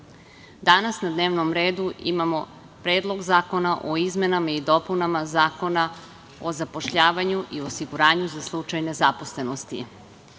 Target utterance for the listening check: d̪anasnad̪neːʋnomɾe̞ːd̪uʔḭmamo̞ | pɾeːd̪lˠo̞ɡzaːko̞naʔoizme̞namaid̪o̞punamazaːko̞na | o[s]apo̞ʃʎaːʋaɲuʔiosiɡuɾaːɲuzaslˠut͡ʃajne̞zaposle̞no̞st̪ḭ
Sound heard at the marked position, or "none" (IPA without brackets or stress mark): z